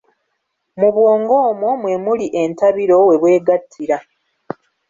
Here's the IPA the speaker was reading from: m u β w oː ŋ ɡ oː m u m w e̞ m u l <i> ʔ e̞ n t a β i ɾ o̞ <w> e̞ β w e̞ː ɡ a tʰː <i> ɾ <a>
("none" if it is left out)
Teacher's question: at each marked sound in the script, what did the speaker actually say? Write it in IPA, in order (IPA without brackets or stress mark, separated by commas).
i, w, i, a